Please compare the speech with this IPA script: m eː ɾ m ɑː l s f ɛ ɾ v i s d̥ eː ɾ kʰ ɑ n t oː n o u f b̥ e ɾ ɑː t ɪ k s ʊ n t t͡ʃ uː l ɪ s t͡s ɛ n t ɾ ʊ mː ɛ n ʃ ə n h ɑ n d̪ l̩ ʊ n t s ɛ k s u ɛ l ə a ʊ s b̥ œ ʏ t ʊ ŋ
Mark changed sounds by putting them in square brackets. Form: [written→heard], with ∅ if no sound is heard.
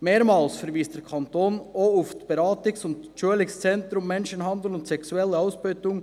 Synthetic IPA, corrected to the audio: m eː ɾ m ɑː l s f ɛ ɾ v [i→iː] s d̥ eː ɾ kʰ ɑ n t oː n o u f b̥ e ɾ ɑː t ɪ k s ʊ n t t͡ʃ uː l ɪ s t͡s ɛ n t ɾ ʊ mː ɛ n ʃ ə n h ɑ n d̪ l̩ ʊ n t s ɛ k s u ɛ l ə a ʊ s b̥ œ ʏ t ʊ ŋ